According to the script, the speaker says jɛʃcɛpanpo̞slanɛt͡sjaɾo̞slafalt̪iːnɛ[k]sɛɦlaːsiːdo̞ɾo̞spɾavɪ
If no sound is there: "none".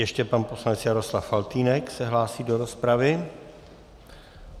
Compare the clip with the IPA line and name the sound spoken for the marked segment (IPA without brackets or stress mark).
k